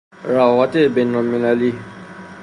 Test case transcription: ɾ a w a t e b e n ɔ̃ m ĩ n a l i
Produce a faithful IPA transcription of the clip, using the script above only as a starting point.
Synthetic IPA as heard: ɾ a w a t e b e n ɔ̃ m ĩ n a l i